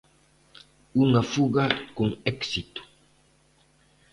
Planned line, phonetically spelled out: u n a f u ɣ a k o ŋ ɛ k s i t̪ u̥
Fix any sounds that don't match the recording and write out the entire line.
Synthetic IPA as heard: u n a f u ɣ a k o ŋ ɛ k s i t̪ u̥